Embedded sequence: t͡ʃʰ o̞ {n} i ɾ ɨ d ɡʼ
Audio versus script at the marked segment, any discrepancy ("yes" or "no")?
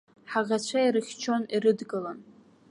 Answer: no